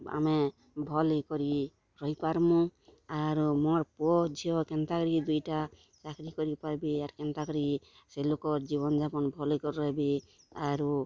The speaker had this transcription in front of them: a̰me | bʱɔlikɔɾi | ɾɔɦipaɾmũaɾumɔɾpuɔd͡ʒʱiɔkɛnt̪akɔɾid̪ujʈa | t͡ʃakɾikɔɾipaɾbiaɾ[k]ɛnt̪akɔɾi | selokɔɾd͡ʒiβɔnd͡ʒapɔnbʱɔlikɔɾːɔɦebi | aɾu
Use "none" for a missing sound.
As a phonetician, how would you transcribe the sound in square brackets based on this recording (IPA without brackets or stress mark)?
k